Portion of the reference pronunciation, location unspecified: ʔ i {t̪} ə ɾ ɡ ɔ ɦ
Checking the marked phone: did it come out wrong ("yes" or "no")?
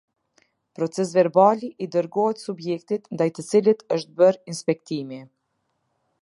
yes